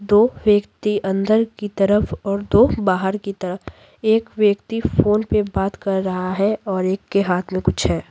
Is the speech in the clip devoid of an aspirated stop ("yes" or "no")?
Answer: no